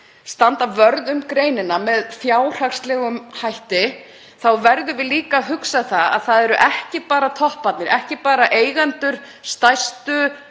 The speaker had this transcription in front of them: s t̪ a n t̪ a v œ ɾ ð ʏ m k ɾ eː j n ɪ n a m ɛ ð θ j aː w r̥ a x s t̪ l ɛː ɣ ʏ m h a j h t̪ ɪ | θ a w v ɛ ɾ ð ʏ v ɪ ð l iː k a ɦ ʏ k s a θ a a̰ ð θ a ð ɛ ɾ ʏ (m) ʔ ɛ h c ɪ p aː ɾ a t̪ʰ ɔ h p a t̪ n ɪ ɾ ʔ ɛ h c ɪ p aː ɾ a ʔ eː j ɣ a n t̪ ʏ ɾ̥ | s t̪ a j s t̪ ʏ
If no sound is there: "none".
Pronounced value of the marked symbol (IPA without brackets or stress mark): none